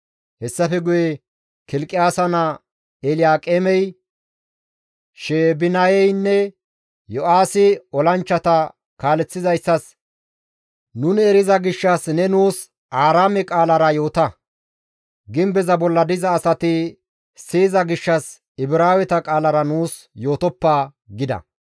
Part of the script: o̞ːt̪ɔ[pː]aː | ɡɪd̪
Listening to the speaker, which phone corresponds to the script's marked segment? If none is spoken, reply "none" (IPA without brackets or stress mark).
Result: pː